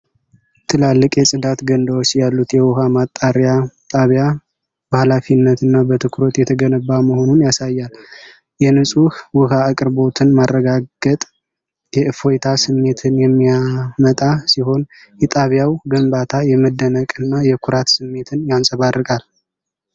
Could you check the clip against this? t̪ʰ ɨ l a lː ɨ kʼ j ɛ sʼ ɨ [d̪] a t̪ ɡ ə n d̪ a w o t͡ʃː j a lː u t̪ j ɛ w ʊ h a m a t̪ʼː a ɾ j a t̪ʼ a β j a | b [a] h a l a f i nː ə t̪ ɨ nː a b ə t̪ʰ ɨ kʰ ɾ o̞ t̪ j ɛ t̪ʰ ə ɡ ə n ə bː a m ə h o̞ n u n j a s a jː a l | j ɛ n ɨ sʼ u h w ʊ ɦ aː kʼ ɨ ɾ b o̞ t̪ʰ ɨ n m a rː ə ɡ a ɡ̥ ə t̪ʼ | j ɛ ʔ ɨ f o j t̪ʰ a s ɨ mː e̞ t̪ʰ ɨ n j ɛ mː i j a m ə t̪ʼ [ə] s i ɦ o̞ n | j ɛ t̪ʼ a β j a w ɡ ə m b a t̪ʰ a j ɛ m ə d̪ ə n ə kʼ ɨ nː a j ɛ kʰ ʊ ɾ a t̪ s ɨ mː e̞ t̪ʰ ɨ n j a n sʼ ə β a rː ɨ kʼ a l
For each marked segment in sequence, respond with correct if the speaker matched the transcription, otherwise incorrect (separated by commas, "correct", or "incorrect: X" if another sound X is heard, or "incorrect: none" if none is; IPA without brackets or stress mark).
correct, incorrect: ə, incorrect: a